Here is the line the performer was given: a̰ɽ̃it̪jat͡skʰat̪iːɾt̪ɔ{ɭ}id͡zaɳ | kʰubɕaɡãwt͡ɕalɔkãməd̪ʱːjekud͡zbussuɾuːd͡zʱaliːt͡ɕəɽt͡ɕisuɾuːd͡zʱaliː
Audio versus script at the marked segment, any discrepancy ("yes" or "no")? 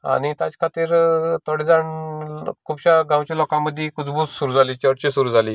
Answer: yes